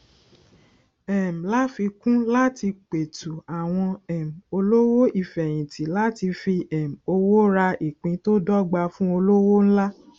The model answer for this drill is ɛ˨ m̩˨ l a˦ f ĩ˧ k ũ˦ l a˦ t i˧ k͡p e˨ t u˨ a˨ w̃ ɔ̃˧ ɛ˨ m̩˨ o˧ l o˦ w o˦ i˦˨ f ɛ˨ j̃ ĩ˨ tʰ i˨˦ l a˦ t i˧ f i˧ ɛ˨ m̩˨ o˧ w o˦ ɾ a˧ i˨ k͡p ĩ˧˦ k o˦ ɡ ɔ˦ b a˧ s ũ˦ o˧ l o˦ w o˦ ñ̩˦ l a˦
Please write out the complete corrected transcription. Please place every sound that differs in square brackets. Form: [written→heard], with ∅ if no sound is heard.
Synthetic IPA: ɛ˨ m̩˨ l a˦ f [ĩ˧→i˧] k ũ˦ l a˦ t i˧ k͡p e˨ t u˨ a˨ w̃ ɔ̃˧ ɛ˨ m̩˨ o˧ l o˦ w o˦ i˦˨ f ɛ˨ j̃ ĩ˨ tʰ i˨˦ l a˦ t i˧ f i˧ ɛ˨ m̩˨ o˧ w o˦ ɾ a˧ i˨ k͡p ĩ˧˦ [k→t] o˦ [ɡ→d] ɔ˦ [b→ɡ͡b] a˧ [s→f] ũ˦ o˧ l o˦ w o˦ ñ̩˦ l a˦